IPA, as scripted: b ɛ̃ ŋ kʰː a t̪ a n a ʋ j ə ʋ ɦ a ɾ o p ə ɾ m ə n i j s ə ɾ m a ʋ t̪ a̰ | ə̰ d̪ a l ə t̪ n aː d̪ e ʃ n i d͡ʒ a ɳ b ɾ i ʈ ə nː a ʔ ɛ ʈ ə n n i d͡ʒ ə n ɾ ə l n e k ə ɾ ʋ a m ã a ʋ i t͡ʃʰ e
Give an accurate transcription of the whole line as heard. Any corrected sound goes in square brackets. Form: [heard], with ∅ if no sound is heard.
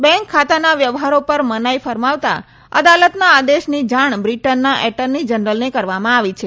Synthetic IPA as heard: b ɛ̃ ŋ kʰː a t̪ a n a ʋ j ə ʋ ɦ a ɾ o p ə ɾ m ə n [a] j [f] ə ɾ m a ʋ t̪ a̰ | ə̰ d̪ a l ə t̪ n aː d̪ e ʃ n i d͡ʒ a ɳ b ɾ i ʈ ə nː a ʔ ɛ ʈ ə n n i d͡ʒ ə n ɾ ə l n e k ə ɾ ʋ a m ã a ʋ i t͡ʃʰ e